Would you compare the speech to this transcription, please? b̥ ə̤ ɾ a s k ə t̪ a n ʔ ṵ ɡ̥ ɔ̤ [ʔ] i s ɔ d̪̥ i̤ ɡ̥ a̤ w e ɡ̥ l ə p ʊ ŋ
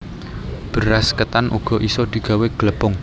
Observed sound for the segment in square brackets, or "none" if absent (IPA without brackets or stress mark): ʔ